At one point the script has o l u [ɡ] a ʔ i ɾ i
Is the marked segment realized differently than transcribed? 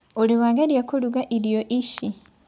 no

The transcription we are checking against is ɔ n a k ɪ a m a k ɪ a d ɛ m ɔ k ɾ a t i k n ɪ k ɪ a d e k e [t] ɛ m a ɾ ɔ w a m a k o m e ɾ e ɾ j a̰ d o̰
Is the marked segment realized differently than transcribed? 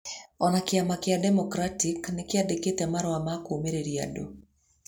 no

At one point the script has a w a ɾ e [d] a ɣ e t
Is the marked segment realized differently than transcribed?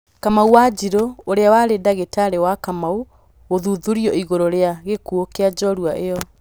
no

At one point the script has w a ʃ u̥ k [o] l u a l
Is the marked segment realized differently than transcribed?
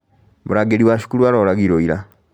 yes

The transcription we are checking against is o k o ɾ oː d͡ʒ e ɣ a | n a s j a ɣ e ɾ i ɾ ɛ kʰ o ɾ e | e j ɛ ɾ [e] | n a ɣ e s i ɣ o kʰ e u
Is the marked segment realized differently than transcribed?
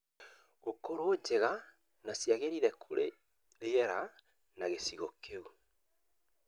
yes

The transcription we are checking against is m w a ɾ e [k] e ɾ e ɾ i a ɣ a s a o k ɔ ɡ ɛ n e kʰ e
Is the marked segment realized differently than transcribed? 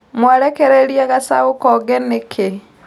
no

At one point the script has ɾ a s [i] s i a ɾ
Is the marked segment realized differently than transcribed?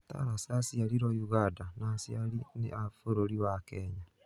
yes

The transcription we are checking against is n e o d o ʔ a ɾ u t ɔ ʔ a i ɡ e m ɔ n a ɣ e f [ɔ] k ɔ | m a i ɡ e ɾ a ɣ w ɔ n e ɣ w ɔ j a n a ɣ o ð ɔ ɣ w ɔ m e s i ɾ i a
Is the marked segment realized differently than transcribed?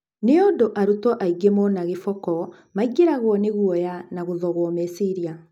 no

